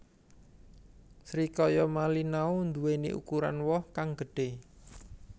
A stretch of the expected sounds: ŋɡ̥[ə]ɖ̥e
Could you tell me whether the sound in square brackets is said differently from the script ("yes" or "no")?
no